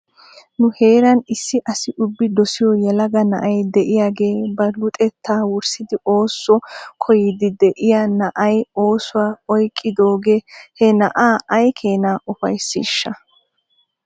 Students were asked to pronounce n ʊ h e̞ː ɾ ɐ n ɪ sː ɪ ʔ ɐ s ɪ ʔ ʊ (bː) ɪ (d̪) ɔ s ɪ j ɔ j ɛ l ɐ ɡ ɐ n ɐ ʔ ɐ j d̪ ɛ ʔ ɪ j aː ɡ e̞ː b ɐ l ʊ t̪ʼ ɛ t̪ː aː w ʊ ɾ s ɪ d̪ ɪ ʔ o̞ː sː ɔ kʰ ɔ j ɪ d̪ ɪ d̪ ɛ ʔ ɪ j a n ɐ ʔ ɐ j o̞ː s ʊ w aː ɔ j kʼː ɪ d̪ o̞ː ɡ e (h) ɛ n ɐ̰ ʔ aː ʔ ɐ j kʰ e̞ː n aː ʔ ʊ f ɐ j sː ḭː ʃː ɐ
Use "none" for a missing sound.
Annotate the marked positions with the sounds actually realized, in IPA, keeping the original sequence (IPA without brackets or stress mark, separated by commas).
bː, d̪, h